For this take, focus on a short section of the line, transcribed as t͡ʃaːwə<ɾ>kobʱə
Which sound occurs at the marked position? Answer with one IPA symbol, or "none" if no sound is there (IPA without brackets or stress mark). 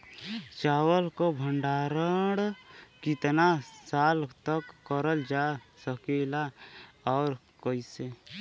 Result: l